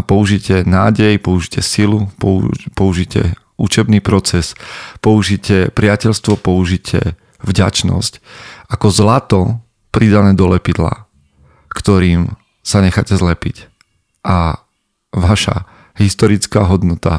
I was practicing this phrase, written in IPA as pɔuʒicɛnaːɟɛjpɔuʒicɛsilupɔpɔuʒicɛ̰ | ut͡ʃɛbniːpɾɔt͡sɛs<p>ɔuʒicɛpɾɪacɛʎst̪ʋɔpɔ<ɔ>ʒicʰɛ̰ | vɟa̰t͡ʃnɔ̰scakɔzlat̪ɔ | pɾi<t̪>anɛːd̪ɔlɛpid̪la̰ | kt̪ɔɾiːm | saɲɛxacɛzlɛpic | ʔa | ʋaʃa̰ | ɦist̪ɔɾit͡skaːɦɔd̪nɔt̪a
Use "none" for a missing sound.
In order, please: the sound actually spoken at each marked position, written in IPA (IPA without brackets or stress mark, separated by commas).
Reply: p, u, d̪